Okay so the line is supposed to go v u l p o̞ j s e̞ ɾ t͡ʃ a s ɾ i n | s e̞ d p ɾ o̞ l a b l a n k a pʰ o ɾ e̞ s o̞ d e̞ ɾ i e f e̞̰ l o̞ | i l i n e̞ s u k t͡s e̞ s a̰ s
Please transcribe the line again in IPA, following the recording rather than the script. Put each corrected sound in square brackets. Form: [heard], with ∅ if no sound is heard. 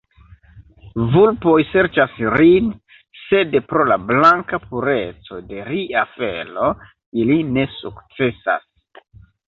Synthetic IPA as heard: v u l p o̞ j s e̞ ɾ t͡ʃ a s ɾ i n | s e̞ d p ɾ o̞ l a b l a [ŋ] k a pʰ [u] ɾ e̞ [t͡s] o̞ d e̞ ɾ i [a] f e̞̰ l o̞ | i l i n e̞ s u k t͡s e̞ s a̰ s